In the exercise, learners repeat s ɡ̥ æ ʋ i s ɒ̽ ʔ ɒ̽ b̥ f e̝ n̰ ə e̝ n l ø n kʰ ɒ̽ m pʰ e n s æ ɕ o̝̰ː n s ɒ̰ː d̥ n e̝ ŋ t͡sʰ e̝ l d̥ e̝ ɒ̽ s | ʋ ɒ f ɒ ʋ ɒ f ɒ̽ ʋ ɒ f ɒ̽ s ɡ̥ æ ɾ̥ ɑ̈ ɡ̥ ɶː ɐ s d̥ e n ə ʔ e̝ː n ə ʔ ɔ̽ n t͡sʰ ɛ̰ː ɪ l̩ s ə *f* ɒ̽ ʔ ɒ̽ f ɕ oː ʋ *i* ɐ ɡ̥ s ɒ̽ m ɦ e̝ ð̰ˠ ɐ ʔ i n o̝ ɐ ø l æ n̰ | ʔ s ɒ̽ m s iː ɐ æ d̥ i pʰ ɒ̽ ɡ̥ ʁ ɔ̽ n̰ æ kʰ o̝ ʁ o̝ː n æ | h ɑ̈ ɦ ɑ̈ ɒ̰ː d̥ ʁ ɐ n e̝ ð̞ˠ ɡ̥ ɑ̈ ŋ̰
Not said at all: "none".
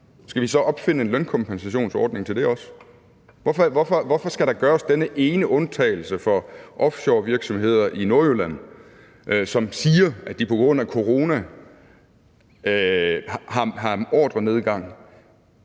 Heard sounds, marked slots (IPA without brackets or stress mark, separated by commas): f, i